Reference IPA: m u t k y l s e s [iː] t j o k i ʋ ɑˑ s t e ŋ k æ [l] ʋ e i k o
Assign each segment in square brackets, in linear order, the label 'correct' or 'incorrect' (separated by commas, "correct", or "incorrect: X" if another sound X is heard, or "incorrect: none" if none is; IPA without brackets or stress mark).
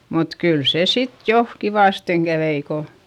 incorrect: i, incorrect: none